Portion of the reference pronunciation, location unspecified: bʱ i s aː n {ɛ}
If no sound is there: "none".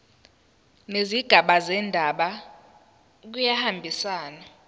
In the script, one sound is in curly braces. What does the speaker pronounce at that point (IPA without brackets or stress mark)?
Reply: a